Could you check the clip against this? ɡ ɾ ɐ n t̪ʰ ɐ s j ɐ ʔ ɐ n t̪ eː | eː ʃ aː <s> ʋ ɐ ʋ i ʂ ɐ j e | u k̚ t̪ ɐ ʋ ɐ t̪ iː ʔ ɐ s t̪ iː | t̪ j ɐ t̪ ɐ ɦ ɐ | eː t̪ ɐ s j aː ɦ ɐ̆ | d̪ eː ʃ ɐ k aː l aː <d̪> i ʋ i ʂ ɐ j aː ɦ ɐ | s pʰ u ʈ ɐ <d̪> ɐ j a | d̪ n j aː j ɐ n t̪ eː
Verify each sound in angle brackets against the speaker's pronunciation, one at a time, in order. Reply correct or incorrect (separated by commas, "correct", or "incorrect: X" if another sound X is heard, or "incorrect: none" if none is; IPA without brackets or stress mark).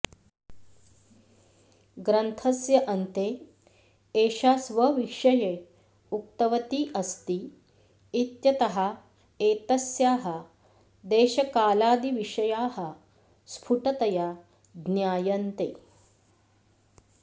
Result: correct, correct, incorrect: t̪